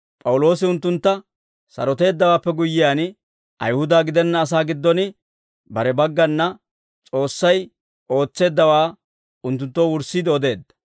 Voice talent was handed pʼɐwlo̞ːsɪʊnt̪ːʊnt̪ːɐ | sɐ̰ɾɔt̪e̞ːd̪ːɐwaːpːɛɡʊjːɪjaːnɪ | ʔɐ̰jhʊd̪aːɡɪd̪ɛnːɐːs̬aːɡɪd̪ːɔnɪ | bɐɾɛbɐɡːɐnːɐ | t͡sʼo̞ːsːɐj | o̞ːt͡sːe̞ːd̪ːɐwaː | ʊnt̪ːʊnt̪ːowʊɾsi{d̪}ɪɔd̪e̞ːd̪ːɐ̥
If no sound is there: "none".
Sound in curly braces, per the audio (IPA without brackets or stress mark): d̪